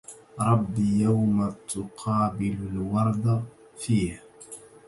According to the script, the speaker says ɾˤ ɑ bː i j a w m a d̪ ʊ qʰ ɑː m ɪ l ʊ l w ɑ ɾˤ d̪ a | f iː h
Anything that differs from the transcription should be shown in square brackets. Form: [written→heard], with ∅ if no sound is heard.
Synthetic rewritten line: ɾˤ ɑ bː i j a w m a [d̪→t̪] ʊ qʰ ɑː [m→b] ɪ l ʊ l w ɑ ɾˤ d̪ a | f iː h